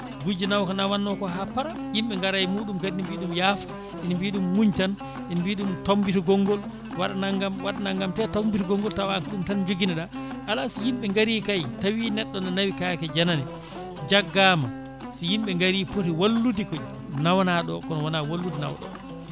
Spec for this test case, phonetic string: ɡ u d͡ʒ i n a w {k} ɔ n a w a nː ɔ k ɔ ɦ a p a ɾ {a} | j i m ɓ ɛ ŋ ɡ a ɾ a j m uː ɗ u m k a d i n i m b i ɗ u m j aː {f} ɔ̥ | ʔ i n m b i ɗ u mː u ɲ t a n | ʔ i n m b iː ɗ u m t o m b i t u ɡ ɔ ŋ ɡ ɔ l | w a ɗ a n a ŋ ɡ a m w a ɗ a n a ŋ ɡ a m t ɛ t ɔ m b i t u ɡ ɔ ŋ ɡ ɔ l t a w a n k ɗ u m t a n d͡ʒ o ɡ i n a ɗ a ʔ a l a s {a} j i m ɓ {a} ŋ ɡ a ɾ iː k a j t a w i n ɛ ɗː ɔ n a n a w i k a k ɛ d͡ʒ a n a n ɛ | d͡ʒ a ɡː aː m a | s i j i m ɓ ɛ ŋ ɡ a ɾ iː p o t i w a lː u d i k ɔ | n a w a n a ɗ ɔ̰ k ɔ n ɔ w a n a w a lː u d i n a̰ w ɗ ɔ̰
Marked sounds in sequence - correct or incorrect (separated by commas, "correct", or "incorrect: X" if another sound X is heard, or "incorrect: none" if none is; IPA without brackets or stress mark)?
correct, correct, correct, incorrect: i, incorrect: ɛ